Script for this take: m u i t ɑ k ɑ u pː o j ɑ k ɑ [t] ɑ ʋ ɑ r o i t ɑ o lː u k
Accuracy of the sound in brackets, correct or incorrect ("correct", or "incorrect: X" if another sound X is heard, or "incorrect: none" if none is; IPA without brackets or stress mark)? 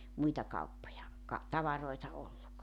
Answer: correct